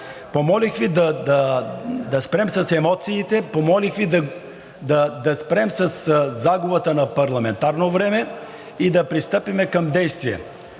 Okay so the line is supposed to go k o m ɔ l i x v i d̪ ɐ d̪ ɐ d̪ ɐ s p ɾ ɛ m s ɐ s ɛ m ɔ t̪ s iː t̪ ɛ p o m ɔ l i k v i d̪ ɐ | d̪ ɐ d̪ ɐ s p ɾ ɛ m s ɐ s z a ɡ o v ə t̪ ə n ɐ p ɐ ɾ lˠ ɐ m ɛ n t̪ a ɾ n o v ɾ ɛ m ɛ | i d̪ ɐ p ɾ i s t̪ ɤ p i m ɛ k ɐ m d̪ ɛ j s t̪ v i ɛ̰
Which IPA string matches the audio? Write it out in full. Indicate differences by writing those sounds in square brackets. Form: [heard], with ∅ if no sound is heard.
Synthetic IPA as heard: [p] o m ɔ l i x v i d̪ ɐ d̪ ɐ d̪ ɐ s p ɾ ɛ m s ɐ s ɛ m ɔ t̪ s iː t̪ ɛ p o m ɔ l i [x] v i d̪ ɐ | d̪ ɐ d̪ ɐ s p ɾ ɛ m s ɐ s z a ɡ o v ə t̪ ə n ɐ p ɐ ɾ lˠ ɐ m ɛ n t̪ a ɾ n o v ɾ ɛ m ɛ | i d̪ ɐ p ɾ i s t̪ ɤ p i m ɛ k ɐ m d̪ ɛ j s t̪ v i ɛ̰